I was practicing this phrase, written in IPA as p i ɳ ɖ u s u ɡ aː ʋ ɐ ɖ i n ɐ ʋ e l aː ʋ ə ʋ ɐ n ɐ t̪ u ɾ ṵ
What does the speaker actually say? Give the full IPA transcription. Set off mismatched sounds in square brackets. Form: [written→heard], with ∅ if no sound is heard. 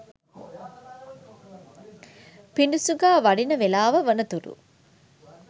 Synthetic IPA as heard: p i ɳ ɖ u s u ɡ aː ʋ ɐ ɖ i n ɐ ʋ e l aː ʋ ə ʋ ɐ n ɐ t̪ u ɾ ṵ